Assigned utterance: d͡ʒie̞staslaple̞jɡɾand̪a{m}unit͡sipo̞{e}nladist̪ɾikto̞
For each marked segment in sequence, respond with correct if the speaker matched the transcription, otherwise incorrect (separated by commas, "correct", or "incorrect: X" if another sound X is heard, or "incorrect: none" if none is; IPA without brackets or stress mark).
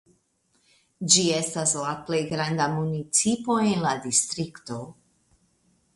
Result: correct, correct